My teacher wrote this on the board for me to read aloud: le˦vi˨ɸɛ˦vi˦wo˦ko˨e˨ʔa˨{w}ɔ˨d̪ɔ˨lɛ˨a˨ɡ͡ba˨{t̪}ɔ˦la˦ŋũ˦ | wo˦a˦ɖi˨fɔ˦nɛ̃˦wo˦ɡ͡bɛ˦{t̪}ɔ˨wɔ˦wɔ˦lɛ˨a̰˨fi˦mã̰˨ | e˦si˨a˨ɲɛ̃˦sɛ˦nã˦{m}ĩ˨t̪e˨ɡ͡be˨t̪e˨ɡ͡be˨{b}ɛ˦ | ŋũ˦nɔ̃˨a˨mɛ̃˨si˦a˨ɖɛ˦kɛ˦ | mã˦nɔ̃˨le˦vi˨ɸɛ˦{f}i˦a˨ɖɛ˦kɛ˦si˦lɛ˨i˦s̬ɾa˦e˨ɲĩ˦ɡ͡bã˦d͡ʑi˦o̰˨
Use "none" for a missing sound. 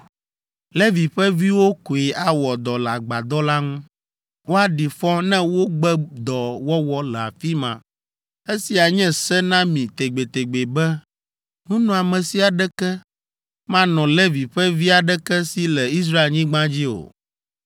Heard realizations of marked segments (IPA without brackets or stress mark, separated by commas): w, d̪, d̪, m, b, v